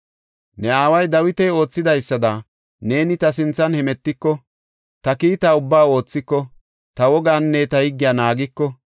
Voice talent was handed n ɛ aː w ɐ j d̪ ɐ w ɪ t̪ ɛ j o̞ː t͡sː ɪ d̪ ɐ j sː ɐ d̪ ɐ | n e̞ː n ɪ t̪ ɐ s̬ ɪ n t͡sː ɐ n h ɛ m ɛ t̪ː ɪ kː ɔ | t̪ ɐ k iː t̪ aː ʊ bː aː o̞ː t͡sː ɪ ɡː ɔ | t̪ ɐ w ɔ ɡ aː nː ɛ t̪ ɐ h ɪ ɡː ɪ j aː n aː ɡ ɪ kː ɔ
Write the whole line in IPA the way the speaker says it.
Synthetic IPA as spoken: n ɛ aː w ɐ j d̪ ɐ w ɪ t̪ ɛ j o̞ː t͡sː ɪ d̪ ɐ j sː ɐ d̪ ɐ | n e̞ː n ɪ t̪ ɐ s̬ ɪ n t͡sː ɐ n h ɛ m ɛ t̪ː ɪ kː ɔ | t̪ ɐ k iː t̪ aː ʊ bː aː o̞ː t͡sː ɪ kː ɔ | t̪ ɐ w ɔ ɡ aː nː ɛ t̪ ɐ h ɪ ɡː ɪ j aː n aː ɡ ɪ kː ɔ